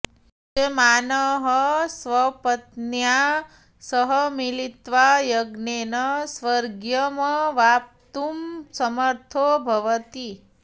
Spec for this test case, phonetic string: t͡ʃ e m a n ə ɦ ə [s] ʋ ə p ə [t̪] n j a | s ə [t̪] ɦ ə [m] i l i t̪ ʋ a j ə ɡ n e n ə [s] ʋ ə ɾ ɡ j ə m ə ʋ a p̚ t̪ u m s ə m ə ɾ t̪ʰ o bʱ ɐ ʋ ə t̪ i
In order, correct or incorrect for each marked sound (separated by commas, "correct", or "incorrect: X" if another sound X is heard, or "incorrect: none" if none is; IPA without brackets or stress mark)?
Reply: correct, correct, incorrect: none, correct, correct